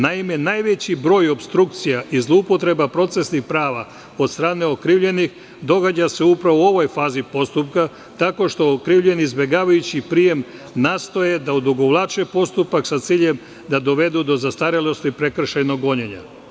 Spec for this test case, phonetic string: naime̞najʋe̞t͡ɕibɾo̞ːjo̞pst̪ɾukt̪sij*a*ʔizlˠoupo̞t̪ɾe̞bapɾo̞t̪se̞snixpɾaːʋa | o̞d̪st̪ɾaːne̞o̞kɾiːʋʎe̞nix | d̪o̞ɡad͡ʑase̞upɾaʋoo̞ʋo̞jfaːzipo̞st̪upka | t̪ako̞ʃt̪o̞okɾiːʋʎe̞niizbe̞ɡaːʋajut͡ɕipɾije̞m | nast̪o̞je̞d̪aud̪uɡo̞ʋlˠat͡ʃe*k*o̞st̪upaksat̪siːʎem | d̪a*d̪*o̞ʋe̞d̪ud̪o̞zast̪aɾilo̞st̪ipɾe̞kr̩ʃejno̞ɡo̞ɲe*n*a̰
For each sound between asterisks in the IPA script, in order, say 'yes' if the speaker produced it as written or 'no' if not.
yes, no, yes, no

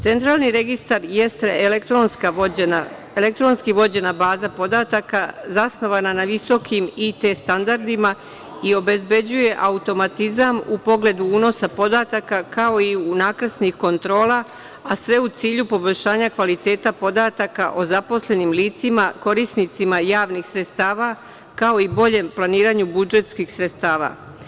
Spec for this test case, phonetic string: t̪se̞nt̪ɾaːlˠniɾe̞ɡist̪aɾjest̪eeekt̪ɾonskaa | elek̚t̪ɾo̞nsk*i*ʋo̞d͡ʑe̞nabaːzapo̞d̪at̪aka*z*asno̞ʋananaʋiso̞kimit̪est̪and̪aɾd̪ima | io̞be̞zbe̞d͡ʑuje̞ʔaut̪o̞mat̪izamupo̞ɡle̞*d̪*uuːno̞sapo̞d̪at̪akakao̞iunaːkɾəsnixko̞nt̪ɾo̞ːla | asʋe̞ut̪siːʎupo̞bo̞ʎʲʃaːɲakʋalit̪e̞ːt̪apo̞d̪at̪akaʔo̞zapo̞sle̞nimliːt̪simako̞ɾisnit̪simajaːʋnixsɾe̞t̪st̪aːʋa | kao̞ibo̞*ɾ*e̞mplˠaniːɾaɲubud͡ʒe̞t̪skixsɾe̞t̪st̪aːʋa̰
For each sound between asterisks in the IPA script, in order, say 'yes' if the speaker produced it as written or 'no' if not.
yes, yes, yes, no

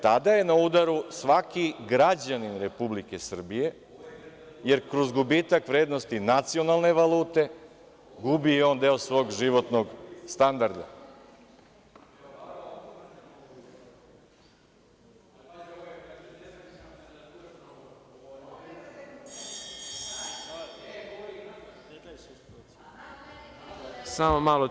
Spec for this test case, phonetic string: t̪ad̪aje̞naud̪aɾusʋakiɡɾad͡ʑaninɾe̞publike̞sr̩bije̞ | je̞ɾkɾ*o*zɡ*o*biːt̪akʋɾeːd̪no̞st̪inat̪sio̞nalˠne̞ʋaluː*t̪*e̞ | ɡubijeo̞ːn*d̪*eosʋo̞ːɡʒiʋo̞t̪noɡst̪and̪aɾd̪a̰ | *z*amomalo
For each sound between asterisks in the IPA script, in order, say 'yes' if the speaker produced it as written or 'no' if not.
yes, no, yes, yes, no

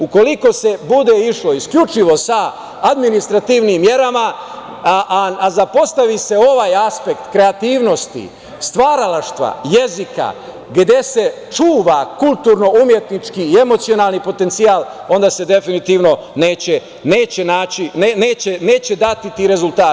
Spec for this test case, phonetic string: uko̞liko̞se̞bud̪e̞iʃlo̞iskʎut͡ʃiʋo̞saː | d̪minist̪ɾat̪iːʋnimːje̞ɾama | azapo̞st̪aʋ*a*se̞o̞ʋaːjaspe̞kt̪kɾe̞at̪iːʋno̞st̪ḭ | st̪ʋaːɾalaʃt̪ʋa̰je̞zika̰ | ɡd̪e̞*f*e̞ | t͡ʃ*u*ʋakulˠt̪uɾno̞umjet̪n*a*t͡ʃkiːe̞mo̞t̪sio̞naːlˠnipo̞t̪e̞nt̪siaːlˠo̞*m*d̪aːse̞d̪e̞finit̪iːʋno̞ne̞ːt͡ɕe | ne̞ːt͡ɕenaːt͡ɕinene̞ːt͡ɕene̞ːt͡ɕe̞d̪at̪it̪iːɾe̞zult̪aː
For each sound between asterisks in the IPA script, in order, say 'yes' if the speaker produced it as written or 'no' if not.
no, no, no, no, no

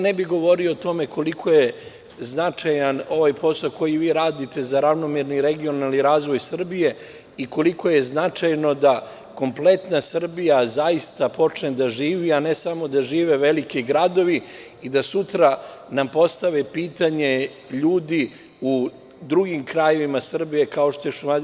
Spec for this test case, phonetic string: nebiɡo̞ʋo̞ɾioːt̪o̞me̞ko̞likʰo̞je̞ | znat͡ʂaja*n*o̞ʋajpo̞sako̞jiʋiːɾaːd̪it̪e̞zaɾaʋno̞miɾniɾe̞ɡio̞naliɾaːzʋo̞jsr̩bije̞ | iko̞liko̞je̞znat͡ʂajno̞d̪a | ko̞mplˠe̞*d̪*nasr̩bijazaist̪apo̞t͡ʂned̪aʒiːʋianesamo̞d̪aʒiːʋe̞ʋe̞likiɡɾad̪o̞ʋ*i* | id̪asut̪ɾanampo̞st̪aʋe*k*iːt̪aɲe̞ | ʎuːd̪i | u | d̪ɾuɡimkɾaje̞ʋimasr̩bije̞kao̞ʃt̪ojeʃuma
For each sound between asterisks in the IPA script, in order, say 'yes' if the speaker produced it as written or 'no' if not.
yes, no, yes, no

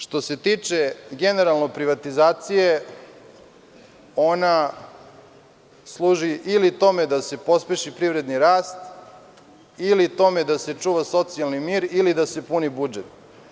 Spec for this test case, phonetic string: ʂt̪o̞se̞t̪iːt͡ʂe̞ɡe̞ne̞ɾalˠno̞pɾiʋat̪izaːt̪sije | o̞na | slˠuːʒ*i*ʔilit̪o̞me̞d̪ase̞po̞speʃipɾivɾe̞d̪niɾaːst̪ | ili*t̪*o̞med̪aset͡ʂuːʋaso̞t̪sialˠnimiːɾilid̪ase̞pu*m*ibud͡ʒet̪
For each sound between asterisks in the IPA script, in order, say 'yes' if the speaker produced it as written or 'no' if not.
yes, yes, no

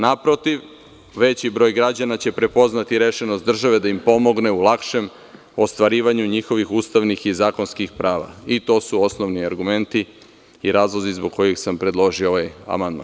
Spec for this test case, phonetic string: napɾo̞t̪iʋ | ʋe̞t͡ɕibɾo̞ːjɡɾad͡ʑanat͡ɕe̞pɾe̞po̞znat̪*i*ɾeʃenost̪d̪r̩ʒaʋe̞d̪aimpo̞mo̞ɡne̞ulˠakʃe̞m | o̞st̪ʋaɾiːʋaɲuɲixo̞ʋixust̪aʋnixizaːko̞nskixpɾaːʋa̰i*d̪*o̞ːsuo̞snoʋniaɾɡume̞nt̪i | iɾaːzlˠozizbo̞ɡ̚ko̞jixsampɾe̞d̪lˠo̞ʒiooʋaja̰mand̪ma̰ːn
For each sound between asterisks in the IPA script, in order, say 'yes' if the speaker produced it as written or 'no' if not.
yes, no

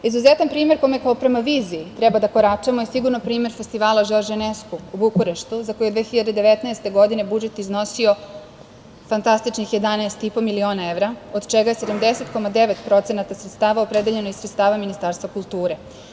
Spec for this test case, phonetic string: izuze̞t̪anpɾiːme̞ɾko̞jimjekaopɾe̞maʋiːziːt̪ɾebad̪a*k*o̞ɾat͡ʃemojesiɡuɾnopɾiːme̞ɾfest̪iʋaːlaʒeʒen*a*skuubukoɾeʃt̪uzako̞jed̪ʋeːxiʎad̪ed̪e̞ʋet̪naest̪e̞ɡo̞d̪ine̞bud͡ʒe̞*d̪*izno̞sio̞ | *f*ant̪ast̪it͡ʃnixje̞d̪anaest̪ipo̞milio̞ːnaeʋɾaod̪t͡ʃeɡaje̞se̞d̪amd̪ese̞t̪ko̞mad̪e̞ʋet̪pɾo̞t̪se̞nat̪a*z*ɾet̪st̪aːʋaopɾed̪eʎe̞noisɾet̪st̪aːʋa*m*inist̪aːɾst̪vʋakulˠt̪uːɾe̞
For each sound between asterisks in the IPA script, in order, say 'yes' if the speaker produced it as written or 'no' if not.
yes, no, no, yes, no, yes

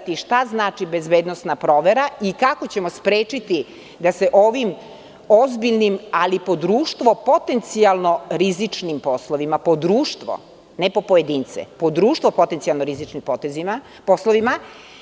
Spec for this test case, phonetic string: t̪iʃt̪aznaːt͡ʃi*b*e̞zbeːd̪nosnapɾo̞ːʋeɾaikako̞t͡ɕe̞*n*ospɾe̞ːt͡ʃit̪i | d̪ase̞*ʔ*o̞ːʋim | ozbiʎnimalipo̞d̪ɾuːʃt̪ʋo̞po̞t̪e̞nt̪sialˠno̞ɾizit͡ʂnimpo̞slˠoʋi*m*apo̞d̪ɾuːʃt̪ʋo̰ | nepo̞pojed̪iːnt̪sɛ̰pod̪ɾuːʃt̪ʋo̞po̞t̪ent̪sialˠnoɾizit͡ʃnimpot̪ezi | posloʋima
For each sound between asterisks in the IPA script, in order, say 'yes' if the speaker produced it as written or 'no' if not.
yes, no, yes, yes

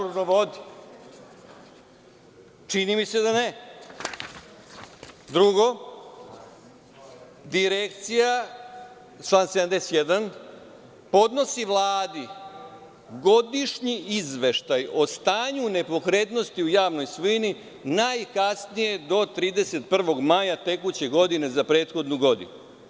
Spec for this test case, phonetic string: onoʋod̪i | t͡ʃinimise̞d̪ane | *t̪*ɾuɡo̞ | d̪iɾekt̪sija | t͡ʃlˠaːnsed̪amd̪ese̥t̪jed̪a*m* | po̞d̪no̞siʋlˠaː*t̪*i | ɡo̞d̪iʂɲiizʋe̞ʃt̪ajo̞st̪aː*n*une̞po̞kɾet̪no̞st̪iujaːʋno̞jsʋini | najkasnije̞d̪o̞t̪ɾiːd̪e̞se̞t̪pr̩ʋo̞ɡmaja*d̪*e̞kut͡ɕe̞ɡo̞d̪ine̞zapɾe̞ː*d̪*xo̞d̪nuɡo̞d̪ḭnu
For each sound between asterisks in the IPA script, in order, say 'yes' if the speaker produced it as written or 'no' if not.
no, no, no, no, no, no

